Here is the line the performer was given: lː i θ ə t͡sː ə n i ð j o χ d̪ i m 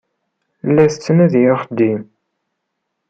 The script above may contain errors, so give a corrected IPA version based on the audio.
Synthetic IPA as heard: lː æ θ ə t͡sː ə n æ ð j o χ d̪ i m

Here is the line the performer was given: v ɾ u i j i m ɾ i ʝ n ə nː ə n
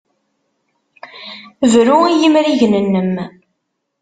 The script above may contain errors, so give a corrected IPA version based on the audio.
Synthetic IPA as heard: v ɾ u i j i m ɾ i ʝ n ə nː ə m

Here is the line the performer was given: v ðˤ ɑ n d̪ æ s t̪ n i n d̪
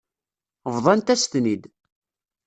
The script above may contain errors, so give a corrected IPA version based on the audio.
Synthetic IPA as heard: v ðˤ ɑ n t̪ æ s t̪ n i d̪

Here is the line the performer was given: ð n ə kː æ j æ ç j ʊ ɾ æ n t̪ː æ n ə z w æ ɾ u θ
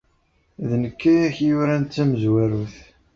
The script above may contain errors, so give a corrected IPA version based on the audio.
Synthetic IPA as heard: ð n ə kː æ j æ ç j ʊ ɾ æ n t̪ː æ m ə z w æ ɾ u θ

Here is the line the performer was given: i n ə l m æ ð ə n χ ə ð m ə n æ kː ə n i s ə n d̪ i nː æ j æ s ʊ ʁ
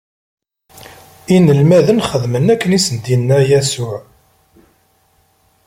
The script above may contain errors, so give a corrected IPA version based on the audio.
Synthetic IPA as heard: i n ə l m æ ð ə n χ ə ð m ə n æ kː ə n i s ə n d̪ i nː æ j æ s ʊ ʕ

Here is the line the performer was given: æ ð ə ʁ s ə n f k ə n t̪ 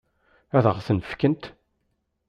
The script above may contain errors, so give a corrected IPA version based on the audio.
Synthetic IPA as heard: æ ð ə ʁ θ ə n f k ə n t̪

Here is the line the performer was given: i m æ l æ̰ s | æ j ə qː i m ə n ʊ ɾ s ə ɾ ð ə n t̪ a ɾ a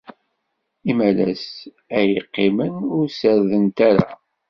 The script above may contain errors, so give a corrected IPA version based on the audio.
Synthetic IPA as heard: i m æ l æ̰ s | æ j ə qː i m ə n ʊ ɾ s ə ɾ ð ə n t̪ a ɾ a

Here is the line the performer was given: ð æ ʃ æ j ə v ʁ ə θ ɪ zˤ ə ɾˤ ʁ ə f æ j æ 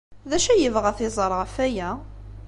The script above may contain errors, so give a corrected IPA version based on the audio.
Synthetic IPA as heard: ð æ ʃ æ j ə v ʁ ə θ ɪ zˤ ə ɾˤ ʁ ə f æ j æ

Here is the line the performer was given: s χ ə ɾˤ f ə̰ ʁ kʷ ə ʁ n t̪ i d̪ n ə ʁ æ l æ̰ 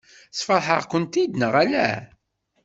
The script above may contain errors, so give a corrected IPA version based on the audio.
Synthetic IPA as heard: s f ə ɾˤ ħ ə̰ ʁ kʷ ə n t̪ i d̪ n ə ʁ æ l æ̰

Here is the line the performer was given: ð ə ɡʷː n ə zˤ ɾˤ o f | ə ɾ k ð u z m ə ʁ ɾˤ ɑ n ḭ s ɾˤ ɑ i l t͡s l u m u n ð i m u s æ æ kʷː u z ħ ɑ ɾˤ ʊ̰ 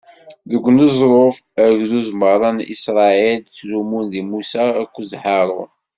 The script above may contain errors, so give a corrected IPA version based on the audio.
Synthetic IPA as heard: ð ə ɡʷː n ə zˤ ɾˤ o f | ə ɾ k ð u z m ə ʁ ɾˤ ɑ n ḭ s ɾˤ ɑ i l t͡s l u m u n ð i m u s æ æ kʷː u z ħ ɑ ɾˤ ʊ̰

